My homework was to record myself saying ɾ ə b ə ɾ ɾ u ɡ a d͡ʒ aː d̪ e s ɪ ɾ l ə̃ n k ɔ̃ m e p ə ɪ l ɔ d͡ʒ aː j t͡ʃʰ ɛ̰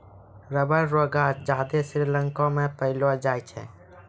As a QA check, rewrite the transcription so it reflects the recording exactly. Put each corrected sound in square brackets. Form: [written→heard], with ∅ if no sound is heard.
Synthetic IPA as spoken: ɾ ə b ə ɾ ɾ [u→o] ɡ a d͡ʒ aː d̪ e s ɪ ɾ l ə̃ [n→ŋ] k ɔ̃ m e p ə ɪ l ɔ d͡ʒ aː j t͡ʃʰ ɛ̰